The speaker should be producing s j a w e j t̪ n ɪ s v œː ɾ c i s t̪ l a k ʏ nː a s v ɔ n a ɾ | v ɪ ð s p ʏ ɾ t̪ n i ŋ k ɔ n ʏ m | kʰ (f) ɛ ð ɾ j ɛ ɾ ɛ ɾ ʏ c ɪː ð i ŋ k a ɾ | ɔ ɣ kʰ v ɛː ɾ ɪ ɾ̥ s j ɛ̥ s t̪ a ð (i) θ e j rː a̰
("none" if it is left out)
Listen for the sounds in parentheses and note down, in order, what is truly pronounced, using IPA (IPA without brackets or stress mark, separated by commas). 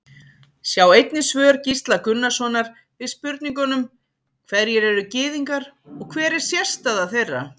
v, a